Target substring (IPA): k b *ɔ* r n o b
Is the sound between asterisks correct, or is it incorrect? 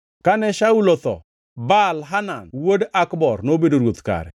correct